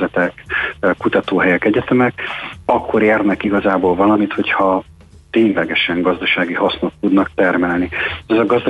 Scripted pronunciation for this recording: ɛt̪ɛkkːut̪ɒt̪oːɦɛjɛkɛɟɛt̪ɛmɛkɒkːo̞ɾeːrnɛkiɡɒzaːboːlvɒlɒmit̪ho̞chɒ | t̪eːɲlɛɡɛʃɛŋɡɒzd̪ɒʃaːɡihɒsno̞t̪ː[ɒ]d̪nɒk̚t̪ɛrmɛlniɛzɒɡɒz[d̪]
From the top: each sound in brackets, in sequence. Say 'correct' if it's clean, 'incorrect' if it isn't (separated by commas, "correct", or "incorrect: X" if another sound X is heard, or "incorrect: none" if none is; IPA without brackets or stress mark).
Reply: incorrect: u, correct